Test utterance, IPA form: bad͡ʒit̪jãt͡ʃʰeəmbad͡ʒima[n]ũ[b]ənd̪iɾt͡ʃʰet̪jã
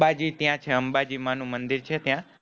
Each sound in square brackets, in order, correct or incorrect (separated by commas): correct, incorrect